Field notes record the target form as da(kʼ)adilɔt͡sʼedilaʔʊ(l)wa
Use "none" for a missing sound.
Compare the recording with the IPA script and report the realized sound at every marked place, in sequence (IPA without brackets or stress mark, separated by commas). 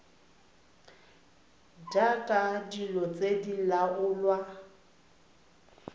kʼ, l